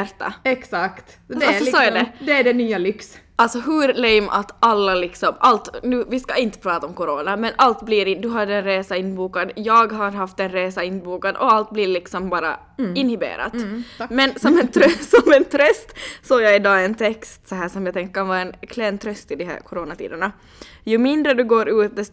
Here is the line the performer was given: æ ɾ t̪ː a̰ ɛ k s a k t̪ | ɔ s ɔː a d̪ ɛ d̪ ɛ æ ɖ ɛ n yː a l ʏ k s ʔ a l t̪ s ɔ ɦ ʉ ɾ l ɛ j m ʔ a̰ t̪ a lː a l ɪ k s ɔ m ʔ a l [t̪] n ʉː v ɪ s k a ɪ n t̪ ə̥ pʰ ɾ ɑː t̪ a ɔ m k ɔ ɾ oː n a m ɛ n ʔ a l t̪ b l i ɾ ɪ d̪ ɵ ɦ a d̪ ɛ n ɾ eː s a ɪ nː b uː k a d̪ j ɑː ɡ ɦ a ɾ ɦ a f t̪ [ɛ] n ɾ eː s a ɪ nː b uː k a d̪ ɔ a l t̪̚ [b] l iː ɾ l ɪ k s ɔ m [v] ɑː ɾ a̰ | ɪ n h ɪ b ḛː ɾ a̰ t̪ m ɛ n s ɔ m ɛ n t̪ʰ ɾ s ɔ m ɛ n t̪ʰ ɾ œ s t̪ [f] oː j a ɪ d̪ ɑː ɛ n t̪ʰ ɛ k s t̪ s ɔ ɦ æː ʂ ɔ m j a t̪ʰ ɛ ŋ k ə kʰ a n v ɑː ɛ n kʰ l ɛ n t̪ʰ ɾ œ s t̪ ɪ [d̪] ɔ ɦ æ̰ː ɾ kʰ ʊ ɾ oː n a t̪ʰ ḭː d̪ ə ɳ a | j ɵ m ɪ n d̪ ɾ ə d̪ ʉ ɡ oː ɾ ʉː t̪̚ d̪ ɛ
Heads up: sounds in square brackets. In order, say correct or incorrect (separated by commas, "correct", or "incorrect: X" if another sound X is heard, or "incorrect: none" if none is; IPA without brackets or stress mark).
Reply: correct, correct, correct, incorrect: b, incorrect: s, correct